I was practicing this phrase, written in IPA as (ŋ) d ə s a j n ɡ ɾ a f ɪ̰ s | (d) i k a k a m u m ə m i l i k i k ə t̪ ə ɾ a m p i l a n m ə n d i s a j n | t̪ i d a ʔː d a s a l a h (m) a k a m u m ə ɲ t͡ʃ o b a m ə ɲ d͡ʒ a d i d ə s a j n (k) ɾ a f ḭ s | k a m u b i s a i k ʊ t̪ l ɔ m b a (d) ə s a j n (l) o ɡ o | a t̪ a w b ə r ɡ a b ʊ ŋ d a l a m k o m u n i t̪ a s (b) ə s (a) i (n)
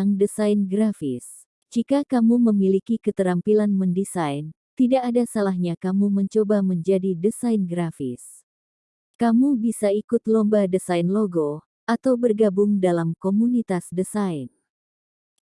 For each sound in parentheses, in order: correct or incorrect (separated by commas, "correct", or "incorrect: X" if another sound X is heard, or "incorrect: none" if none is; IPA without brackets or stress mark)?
correct, incorrect: d͡ʒ, incorrect: ɲ, incorrect: ɡ, correct, correct, incorrect: d, correct, correct